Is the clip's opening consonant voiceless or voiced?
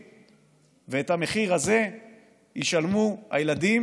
voiced